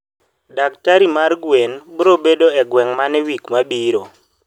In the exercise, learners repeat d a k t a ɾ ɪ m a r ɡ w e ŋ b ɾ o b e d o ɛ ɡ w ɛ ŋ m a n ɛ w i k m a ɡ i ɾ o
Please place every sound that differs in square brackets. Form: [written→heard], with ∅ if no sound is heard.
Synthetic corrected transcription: d a k t a ɾ [ɪ→i] m a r ɡ w e [ŋ→n] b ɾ o b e d o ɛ ɡ w ɛ ŋ m a n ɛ w i k m a [ɡ→b] i ɾ o